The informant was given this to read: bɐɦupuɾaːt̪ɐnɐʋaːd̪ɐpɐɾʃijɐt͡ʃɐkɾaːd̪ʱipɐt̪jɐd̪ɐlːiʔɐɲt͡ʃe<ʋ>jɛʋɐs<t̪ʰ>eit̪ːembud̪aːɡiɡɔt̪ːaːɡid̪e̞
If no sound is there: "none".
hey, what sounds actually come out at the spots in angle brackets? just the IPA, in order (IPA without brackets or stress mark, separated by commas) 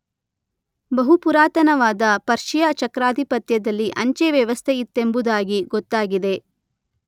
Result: ʋ, t̪ʰ